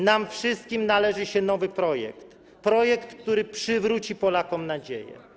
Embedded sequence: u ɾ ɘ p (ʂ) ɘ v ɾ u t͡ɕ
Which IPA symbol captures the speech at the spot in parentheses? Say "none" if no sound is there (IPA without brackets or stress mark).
ʂ